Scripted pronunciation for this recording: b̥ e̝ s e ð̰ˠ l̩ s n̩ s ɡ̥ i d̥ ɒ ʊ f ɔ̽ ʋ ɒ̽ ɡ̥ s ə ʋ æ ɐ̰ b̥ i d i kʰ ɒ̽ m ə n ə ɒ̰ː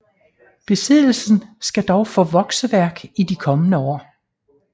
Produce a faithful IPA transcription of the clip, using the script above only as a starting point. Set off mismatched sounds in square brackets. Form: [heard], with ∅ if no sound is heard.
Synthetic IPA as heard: b̥ e̝ s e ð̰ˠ l̩ s n̩ s ɡ̥ [æ] d̥ ɒ ʊ f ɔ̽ ʋ ɒ̽ ɡ̥ s ə ʋ æ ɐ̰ [ɡ̥] i d i kʰ ɒ̽ m ə n ə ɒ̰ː